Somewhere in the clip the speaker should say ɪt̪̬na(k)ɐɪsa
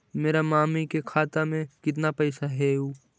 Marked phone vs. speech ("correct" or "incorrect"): incorrect